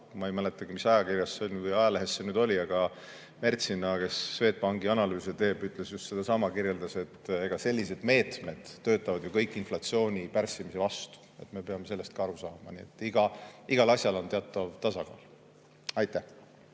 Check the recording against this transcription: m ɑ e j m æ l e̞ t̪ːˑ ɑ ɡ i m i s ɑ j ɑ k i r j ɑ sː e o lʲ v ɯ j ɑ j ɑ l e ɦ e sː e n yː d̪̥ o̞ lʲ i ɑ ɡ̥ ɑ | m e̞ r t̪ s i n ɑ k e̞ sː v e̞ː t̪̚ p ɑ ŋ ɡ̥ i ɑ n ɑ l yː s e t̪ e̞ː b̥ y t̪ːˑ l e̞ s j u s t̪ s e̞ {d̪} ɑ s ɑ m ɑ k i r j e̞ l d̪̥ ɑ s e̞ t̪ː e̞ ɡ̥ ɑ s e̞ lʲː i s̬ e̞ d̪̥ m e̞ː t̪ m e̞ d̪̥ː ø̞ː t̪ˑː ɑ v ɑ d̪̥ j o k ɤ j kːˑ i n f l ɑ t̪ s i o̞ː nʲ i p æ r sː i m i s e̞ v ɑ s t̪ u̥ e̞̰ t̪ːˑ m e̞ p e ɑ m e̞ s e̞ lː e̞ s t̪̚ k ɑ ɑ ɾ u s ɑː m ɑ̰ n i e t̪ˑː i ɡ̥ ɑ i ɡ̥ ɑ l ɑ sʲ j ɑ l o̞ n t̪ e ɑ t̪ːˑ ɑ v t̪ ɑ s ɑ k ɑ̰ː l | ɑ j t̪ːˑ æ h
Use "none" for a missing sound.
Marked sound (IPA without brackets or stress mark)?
d̪